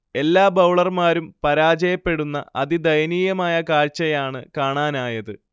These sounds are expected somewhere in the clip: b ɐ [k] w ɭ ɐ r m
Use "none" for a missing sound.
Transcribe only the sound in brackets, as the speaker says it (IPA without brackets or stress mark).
none